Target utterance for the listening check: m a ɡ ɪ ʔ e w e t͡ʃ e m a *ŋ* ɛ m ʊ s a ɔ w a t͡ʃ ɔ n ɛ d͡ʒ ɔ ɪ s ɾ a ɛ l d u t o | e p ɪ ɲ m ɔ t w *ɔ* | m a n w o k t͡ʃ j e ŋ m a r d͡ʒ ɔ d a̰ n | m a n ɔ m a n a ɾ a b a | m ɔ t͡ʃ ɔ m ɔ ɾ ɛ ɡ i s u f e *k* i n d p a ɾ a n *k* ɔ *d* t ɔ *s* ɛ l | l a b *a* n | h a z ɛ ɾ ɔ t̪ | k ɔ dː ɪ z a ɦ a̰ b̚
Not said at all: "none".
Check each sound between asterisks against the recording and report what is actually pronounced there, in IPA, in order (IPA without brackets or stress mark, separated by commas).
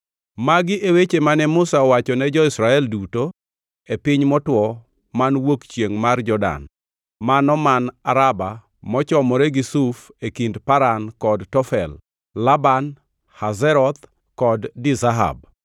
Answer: n, ɔ, k, k, d, f, a